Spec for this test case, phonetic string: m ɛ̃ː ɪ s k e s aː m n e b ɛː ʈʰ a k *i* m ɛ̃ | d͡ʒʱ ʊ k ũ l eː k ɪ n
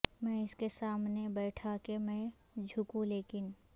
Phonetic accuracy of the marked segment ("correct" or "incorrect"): incorrect